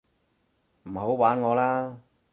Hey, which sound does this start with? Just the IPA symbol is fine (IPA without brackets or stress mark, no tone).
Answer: m̩